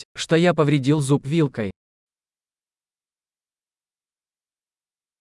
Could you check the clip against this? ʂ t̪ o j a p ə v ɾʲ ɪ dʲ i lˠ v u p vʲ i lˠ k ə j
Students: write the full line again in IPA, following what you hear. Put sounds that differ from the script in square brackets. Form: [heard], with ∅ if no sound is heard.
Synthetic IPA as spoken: ʂ t̪ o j a p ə v ɾʲ ɪ dʲ i lˠ [z] u p vʲ i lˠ k ə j